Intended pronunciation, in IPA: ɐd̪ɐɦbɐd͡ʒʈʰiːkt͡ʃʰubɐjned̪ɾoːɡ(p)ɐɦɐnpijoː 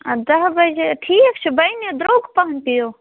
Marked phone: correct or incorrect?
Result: correct